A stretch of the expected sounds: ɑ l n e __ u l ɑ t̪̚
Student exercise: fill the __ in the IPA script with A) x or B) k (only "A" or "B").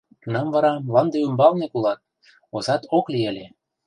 B